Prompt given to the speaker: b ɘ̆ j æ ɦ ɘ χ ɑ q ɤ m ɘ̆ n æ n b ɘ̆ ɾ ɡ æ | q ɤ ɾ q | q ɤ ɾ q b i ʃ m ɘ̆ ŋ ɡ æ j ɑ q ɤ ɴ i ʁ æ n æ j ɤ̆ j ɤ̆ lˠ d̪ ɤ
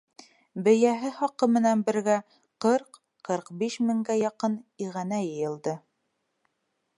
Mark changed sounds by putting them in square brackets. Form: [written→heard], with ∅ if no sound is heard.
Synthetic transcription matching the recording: b ɘ̆ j æ ɦ ɘ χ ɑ q ɤ m ɘ̆ n æ n b ɘ̆ ɾ ɡ æ | q ɤ ɾ q | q ɤ ɾ q b i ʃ m ɘ̆ ŋ ɡ æ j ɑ q ɤ [ɴ→n] i ʁ æ n æ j ɤ̆ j ɤ̆ lˠ d̪ ɤ

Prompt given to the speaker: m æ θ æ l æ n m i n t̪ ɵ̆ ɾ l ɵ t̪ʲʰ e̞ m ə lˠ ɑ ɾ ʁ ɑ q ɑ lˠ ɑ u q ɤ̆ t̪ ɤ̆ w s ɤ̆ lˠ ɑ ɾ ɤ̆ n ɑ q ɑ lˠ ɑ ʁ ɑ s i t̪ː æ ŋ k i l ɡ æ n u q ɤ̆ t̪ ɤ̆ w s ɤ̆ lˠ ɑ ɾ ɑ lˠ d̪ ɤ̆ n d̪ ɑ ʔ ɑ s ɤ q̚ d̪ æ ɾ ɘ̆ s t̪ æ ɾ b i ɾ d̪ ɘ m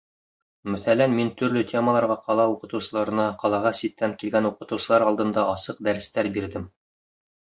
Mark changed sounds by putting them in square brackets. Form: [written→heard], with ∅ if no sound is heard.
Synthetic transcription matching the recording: m æ θ æ l æ n m i n t̪ ɵ̆ ɾ l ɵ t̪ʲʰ e̞ m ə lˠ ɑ ɾ ʁ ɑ q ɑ lˠ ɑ u q ɤ̆ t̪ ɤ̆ w s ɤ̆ lˠ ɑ ɾ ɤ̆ n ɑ q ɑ lˠ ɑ ʁ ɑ s i t̪ː æ ŋ k i l ɡ æ n u q ɤ̆ t̪ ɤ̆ w s ɤ̆ lˠ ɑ ɾ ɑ lˠ d̪ ɤ̆ n d̪ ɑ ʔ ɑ s ɤ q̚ d̪ æ ɾ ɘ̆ s t̪ æ ɾ b i ɾ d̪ ɘ m

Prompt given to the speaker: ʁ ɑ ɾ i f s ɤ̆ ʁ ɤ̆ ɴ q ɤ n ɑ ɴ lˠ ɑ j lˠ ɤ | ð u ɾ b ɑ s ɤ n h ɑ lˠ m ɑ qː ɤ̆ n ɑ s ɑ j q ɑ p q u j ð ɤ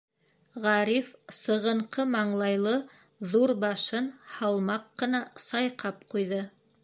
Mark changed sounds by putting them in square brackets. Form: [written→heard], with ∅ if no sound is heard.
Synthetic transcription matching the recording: ʁ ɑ ɾ i f s ɤ̆ ʁ ɤ̆ ɴ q ɤ [n→m] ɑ ɴ lˠ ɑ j lˠ ɤ | ð u ɾ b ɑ [s→ʃ] ɤ n h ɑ lˠ m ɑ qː ɤ̆ n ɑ s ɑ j q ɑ p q u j ð ɤ

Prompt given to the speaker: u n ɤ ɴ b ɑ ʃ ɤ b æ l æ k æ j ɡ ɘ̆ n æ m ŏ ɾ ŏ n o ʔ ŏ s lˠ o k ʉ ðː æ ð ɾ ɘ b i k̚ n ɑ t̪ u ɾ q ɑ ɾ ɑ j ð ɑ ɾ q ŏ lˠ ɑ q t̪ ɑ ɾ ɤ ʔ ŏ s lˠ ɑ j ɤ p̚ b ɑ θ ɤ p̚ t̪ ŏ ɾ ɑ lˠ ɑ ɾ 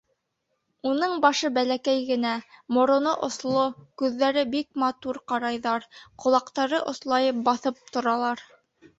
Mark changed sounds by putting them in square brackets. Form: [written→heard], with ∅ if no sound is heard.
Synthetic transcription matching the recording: u n ɤ ɴ b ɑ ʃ ɤ b æ l æ k æ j ɡ ɘ̆ n æ m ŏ ɾ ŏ n o ʔ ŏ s lˠ o k ʉ ðː æ [ð→∅] ɾ ɘ b i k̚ [n→m] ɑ t̪ u ɾ q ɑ ɾ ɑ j ð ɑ ɾ q ŏ lˠ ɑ q t̪ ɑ ɾ ɤ ʔ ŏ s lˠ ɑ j ɤ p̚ b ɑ θ ɤ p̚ t̪ ŏ ɾ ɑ lˠ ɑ ɾ

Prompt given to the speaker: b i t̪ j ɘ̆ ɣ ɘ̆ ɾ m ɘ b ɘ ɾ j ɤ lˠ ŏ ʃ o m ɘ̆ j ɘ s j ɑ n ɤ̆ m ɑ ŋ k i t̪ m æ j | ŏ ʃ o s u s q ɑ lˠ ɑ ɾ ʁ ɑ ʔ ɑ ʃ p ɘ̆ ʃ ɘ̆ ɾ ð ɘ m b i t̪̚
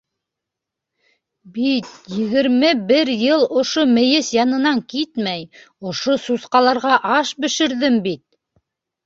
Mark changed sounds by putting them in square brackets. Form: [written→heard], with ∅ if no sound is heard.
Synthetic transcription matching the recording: b i t̪ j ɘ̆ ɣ ɘ̆ ɾ m ɘ b ɘ ɾ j ɤ lˠ ŏ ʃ o m ɘ̆ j ɘ s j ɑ n ɤ̆ [m→n] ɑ ŋ k i t̪ m æ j | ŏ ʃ o s u s q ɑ lˠ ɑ ɾ ʁ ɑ ʔ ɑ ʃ [p→b] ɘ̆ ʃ ɘ̆ ɾ ð ɘ m b i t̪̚

